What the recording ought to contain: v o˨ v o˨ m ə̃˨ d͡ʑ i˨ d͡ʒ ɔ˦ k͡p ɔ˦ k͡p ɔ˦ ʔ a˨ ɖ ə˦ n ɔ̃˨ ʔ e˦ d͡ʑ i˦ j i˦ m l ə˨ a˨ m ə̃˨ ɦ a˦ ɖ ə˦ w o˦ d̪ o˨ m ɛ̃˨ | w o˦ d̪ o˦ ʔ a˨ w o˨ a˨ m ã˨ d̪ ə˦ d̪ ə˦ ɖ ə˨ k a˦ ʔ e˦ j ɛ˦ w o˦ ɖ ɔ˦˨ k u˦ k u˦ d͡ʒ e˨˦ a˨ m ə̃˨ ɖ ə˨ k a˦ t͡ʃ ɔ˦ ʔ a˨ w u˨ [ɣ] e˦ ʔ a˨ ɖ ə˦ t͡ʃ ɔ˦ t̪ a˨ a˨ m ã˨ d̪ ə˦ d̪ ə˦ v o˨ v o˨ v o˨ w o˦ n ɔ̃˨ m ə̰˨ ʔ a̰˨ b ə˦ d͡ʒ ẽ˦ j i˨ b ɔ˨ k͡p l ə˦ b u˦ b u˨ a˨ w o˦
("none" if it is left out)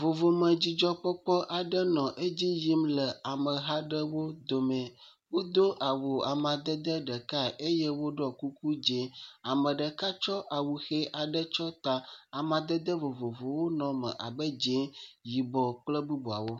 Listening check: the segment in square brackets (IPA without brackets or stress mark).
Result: x